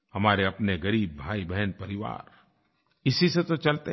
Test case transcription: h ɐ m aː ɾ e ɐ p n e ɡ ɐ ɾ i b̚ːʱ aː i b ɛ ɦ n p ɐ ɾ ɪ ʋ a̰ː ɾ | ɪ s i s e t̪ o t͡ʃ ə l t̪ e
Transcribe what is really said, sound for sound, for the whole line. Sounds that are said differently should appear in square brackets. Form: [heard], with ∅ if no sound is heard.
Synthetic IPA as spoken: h ɐ m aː ɾ e ɐ p n e ɡ ɐ ɾ [iː] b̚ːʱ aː i b ɛ ɦ n p ɐ ɾ ɪ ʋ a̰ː ɾ | ɪ s i s e t̪ o t͡ʃ [ɐ] l t̪ e